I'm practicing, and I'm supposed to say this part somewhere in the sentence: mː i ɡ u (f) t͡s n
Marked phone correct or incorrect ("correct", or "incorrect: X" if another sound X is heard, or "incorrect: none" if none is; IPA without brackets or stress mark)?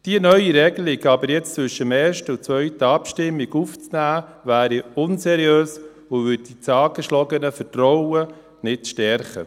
correct